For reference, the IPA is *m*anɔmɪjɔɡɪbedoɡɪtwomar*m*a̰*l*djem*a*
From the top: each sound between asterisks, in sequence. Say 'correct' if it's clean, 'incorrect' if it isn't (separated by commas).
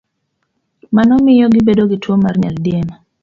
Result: correct, incorrect, correct, correct